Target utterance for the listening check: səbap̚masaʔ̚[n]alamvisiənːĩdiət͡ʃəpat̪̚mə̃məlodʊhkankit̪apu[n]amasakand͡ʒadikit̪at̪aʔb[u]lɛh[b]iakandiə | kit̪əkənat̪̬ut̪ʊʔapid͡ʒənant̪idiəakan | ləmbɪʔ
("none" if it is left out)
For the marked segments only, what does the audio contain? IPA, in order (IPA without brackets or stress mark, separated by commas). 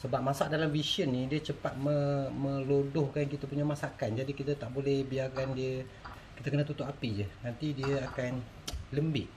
d, ɲ, o, b